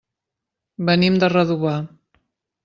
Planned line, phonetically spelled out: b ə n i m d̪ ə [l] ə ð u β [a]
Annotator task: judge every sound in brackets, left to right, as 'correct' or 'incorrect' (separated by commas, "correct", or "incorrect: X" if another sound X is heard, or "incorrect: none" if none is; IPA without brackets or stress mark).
incorrect: r, correct